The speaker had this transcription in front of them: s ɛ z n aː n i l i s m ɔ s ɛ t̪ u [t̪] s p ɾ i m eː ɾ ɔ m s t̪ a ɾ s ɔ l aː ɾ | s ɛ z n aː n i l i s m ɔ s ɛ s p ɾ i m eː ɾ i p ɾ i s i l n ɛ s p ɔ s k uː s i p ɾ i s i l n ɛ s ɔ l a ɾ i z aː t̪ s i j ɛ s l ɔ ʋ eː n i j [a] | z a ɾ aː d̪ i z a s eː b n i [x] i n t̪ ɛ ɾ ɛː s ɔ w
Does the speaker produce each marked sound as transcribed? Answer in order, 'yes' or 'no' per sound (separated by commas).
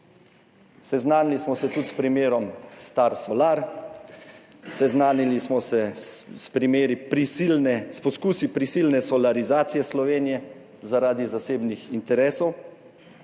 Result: yes, no, yes